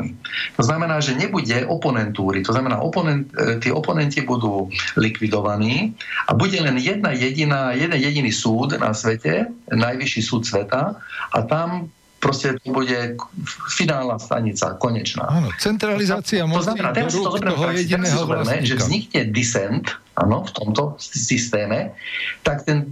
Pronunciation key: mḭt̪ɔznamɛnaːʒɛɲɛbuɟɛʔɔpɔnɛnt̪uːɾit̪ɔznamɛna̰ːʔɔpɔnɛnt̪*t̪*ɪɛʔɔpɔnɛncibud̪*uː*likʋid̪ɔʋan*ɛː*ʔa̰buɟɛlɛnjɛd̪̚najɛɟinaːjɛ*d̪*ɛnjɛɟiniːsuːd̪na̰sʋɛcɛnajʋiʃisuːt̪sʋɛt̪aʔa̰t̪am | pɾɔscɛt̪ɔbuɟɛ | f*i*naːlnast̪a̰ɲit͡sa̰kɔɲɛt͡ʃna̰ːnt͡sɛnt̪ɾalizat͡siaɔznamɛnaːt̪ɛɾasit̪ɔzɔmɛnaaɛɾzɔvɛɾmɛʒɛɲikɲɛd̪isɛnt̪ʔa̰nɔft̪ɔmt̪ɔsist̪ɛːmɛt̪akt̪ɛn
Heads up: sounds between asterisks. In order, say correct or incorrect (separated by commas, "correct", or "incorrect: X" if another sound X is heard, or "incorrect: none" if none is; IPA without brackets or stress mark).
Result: correct, correct, incorrect: iː, correct, correct